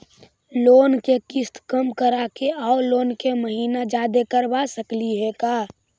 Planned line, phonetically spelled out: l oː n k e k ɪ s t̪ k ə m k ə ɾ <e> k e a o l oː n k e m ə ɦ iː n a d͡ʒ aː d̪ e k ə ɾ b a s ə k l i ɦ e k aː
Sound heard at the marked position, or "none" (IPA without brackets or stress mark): a